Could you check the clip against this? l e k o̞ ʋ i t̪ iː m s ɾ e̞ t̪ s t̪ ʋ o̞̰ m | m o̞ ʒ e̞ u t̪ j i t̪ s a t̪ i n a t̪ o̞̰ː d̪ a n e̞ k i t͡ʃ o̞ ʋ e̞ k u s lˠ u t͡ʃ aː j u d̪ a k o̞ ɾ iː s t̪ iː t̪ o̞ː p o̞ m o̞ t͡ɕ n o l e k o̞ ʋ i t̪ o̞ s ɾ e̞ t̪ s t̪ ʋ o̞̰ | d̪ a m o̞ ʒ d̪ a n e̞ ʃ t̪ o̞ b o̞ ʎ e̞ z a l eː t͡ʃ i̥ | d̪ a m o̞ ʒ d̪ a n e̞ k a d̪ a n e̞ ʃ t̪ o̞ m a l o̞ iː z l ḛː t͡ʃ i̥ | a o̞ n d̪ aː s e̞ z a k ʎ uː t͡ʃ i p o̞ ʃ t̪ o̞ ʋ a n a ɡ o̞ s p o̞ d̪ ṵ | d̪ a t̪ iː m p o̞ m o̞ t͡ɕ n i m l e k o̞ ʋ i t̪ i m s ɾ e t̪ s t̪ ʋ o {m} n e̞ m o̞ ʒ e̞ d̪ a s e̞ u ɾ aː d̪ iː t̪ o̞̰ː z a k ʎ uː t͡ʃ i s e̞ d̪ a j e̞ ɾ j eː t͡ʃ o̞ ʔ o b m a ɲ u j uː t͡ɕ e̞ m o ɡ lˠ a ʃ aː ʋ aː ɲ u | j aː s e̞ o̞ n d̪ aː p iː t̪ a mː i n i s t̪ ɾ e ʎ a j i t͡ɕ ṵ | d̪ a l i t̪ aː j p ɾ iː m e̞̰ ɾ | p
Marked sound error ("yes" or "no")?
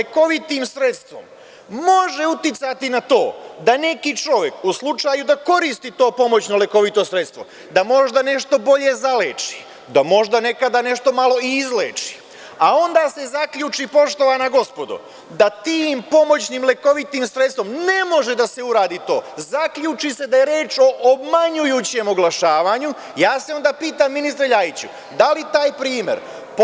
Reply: no